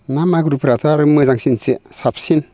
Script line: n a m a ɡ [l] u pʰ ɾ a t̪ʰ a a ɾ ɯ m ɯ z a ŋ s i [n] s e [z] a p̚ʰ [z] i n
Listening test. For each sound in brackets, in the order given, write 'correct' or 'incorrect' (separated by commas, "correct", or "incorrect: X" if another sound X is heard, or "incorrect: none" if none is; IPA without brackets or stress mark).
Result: incorrect: ɾ, correct, incorrect: s, incorrect: s